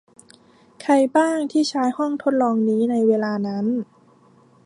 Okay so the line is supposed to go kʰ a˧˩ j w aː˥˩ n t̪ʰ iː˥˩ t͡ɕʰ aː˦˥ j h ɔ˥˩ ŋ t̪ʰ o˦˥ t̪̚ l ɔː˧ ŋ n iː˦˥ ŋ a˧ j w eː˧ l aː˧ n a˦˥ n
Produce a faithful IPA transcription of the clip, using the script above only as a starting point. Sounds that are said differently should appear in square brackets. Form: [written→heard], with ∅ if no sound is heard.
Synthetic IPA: kʰ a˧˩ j [w→b] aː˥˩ [n→ŋ] t̪ʰ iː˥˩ t͡ɕʰ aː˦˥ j h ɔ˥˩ ŋ t̪ʰ o˦˥ t̪̚ l ɔː˧ ŋ n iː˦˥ [ŋ→n] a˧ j w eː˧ l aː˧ n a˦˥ n